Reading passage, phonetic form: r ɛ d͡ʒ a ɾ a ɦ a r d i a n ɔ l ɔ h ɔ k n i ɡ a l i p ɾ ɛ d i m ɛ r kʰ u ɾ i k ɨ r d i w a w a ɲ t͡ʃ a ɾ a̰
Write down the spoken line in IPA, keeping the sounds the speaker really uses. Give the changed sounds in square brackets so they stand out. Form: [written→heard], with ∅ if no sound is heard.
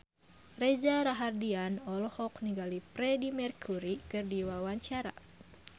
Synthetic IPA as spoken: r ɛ d͡ʒ a ɾ a ɦ a r d i a n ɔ l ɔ h ɔ k n i ɡ a l i p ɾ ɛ d i m ɛ r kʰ u ɾ i k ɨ r d i w a w a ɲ t͡ʃ a ɾ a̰